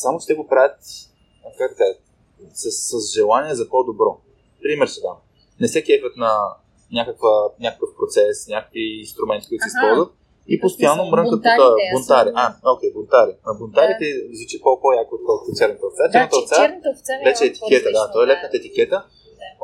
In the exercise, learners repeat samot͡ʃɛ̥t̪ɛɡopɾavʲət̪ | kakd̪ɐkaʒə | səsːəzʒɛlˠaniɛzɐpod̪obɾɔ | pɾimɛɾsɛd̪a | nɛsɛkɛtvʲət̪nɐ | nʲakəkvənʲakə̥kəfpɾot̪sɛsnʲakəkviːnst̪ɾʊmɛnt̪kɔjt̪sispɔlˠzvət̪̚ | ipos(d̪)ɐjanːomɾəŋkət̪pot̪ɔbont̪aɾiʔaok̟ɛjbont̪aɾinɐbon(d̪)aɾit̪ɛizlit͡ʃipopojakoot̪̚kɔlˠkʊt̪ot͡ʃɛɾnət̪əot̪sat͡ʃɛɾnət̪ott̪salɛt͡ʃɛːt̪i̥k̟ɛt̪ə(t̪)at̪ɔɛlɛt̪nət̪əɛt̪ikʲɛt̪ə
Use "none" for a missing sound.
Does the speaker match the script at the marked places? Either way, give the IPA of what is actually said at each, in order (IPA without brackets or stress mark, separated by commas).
t̪, t̪, d̪